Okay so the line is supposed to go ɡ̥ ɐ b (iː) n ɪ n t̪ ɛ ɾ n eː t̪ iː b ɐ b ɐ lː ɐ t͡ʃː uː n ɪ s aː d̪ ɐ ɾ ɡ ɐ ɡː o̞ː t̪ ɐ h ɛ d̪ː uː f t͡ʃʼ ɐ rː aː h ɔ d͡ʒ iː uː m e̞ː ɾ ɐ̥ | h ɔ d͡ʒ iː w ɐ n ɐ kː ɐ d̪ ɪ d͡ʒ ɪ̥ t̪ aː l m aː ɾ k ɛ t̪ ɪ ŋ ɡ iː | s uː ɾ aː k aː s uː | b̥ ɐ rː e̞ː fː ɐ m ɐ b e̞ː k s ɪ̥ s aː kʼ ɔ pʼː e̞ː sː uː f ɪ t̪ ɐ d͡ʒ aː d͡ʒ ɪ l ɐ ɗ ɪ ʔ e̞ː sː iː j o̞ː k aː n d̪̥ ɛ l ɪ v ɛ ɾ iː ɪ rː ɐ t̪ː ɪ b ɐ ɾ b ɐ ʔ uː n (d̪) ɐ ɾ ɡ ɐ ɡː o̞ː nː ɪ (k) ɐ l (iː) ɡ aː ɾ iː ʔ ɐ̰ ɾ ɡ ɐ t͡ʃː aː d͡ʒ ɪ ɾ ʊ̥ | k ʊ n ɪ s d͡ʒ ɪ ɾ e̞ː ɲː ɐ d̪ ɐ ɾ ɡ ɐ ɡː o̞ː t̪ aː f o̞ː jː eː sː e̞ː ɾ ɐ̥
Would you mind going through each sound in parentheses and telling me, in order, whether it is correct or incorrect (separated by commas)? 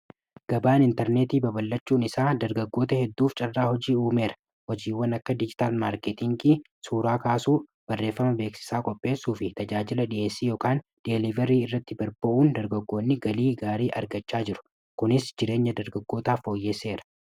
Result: incorrect, correct, incorrect, correct